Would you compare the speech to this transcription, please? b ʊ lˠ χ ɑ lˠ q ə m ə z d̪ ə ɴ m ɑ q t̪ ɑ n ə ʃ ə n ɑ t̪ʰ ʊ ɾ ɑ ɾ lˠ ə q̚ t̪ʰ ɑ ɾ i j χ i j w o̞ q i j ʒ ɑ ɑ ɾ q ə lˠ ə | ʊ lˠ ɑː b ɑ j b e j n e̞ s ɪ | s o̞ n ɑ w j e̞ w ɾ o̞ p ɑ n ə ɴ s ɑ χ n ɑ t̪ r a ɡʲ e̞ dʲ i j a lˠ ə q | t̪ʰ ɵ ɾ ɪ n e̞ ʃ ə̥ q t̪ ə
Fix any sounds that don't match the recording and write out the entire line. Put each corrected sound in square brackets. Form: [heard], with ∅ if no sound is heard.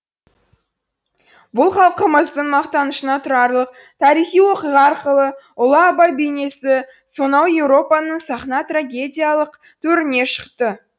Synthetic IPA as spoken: b ʊ lˠ χ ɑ lˠ q ə m ə z d̪ ə ɴ m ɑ q t̪ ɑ n ə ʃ ə n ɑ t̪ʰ ʊ ɾ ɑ ɾ lˠ ə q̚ t̪ʰ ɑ ɾ i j χ i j w o̞ q i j [ʁ] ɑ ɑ ɾ q ə lˠ ə | ʊ lˠ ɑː b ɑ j b e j n e̞ s ɪ | s o̞ n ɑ w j e̞ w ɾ o̞ p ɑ n ə ɴ s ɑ χ n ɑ t̪ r a ɡʲ e̞ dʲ i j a lˠ ə q | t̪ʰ ɵ ɾ ɪ n e̞ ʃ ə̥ q t̪ ə